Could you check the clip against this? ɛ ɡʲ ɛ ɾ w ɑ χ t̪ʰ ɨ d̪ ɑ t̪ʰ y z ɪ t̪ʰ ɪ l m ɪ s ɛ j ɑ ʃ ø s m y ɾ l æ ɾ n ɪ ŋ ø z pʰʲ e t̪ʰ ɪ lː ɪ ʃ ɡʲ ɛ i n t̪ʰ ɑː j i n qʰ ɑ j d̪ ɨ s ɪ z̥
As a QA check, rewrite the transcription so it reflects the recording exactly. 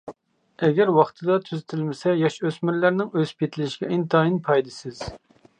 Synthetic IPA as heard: ɛ ɡʲ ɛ ɾ w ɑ χ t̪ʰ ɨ d̪ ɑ t̪ʰ y z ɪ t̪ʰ ɪ l m ɪ s ɛ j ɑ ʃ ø s m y ɾ l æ ɾ n ɪ ŋ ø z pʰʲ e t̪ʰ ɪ l ɪ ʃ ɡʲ ɛ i n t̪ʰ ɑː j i n pʰ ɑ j d̪ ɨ s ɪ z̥

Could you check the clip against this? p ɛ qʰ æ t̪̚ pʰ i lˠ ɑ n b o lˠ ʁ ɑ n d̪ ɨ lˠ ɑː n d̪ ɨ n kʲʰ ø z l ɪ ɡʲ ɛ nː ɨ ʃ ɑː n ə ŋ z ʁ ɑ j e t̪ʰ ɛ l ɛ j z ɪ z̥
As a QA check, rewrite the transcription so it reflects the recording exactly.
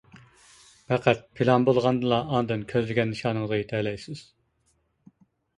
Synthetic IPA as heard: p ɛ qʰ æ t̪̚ pʰ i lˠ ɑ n b o lˠ ʁ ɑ n d̪ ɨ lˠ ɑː n d̪ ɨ n kʲʰ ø z l ɪ ɡʲ ɛ nː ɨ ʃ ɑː n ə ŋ z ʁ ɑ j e t̪ʰ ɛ l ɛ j s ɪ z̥

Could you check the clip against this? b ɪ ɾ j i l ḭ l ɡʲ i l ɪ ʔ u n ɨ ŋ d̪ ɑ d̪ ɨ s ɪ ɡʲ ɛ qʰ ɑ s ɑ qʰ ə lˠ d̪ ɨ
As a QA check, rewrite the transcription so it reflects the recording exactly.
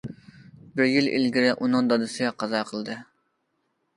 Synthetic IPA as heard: b ɪ ɾ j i l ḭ l ɡʲ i ɾ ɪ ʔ u n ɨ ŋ d̪ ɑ d̪ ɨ s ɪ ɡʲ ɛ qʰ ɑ z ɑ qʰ ə lˠ d̪ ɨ

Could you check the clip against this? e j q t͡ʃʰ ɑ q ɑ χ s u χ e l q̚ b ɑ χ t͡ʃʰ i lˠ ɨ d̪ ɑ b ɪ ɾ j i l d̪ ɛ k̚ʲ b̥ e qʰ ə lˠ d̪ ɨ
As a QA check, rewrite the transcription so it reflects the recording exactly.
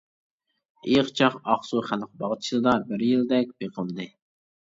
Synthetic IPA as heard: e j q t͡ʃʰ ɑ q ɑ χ s u χ æ l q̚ b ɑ ʁ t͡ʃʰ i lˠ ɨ d̪ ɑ b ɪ ɾ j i l d̪ ɛ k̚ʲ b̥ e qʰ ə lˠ d̪ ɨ

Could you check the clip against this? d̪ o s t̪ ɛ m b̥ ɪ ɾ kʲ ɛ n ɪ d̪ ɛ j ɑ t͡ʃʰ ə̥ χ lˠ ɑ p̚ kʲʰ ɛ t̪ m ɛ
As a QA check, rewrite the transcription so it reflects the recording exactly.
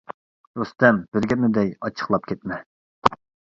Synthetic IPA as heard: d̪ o s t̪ ɛ m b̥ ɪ ɾ ɡʲ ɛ n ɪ d̪ ɛ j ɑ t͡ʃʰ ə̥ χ lˠ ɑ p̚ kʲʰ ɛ t̪ m ɛ

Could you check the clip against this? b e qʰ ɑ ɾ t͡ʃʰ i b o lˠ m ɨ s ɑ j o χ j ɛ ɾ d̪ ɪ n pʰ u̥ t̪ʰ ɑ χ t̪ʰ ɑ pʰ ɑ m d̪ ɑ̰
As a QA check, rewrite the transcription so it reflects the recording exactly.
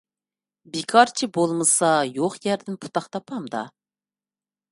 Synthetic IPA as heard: b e kʰ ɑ ɾ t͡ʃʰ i b o lˠ m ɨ s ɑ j o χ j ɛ ɾ d̪ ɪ n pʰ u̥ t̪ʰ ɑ χ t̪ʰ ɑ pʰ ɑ m d̪ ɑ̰

